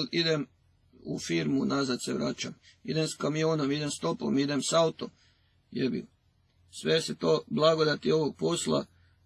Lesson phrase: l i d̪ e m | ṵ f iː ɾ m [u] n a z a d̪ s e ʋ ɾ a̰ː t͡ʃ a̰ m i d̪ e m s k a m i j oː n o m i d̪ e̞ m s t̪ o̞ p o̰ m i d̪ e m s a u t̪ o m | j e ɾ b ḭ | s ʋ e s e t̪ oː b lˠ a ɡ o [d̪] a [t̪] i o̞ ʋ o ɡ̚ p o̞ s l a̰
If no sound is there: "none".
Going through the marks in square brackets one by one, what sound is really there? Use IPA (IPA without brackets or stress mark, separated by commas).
u, d̪, t̪